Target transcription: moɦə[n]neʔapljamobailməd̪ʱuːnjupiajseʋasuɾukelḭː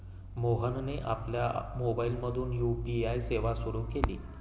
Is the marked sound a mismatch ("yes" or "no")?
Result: no